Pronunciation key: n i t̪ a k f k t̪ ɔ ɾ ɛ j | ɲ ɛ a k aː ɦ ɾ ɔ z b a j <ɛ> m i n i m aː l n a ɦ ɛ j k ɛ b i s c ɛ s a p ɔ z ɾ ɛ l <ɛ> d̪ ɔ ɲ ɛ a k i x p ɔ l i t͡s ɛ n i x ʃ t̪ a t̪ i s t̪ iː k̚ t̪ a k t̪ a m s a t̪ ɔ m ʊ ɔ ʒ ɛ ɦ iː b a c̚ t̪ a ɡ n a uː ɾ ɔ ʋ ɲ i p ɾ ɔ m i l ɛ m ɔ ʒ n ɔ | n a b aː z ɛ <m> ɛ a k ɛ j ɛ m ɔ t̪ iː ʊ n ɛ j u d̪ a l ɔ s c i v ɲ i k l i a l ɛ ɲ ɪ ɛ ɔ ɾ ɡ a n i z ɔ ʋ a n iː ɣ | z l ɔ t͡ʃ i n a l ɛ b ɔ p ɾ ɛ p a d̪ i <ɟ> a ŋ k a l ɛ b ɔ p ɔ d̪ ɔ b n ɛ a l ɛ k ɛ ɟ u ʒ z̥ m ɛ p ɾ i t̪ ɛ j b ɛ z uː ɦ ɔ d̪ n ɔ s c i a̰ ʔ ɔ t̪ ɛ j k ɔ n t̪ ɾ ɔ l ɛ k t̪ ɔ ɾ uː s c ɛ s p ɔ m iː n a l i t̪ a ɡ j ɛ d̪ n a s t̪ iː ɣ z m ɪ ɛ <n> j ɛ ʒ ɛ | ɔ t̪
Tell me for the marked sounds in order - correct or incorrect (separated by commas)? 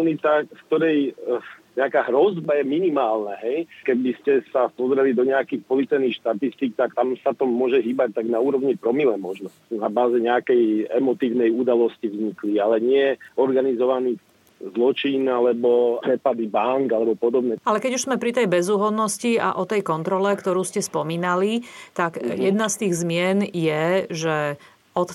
correct, incorrect, incorrect, incorrect, correct